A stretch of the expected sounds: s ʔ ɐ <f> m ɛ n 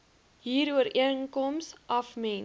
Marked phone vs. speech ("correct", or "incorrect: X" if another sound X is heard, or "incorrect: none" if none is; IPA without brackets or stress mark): correct